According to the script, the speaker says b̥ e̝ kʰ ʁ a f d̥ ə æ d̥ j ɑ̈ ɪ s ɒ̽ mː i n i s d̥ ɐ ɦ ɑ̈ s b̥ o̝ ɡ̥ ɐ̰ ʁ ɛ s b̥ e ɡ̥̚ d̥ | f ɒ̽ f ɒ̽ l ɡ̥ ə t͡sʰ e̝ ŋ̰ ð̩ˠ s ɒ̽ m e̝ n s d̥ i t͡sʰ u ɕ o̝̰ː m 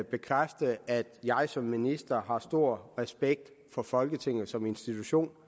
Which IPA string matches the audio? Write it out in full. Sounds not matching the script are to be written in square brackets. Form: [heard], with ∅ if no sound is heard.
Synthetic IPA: b̥ e̝ kʰ ʁ a f d̥ ə æ d̥ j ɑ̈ ɪ s ɒ̽ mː i n i s d̥ ɐ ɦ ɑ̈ s [d̥] o̝ [∅] ɐ̰ ʁ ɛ s b̥ e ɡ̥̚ d̥ | f ɒ̽ f ɒ̽ l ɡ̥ ə t͡sʰ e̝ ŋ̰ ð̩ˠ s ɒ̽ m e̝ n s d̥ i t͡sʰ u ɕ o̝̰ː [n]